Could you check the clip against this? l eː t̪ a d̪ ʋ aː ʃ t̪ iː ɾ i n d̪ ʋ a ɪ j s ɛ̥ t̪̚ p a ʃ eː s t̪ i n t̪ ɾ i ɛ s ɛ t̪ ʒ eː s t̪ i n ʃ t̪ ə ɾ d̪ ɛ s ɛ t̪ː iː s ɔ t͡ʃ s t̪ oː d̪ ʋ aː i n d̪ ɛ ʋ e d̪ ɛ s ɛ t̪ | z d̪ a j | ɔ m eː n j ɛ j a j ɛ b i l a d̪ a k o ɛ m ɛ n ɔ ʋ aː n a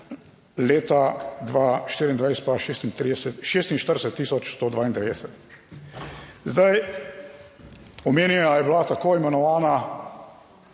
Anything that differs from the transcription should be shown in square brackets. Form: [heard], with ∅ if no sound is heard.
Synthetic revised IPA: l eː t̪ a d̪ ʋ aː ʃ t̪ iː ɾ i n d̪ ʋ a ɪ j s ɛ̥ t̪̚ p a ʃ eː s t̪ i n t̪ ɾ i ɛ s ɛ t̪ [ʃ] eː s t̪ i n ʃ t̪ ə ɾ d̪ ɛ s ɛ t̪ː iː s ɔ t͡ʃ s t̪ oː d̪ ʋ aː i n d̪ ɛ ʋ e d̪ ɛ s ɛ t̪ | z d̪ a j | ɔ m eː n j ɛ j a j ɛ b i l a [t̪] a k o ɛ m ɛ n ɔ ʋ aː n a